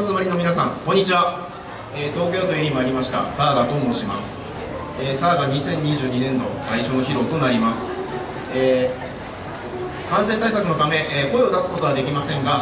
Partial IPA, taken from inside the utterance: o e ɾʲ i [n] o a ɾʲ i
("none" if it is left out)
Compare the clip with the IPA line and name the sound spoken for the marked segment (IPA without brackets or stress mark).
m